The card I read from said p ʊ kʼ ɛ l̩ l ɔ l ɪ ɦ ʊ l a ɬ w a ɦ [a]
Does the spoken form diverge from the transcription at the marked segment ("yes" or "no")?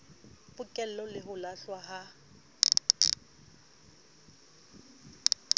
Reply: no